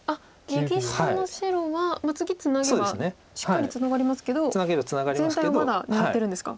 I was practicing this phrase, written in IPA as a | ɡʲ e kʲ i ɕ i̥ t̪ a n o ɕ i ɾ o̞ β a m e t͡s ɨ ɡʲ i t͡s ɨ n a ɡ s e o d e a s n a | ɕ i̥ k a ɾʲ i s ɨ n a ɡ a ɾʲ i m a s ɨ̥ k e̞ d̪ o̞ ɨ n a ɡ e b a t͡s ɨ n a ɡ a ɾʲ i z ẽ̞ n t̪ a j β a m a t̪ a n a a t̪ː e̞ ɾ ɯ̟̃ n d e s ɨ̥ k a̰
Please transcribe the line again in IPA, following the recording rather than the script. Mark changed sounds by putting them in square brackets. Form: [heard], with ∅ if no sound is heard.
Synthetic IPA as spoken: a | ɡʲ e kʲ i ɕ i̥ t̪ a n o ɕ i ɾ o̞ β a m [a] t͡s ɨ ɡʲ i t͡s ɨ n a ɡ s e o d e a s n [e] | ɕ i̥ k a ɾʲ i [t͡s] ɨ n a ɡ a ɾʲ i m a s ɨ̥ k e̞ d̪ o̞ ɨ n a ɡ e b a t͡s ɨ n a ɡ a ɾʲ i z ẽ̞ n t̪ a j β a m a [d̪] a n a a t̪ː e̞ ɾ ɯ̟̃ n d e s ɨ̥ k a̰